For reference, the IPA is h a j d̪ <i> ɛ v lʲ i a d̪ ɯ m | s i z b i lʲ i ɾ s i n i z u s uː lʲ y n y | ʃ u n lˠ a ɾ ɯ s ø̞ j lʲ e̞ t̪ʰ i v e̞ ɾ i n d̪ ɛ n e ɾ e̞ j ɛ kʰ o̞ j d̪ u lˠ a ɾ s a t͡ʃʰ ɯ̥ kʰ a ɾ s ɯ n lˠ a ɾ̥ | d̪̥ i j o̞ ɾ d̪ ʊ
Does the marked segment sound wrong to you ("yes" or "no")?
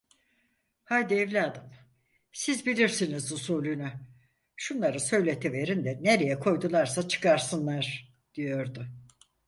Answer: no